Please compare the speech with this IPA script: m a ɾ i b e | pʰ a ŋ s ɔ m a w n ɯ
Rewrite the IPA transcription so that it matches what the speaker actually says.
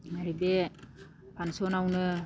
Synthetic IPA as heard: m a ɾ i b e | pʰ a n s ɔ n a w n ɯ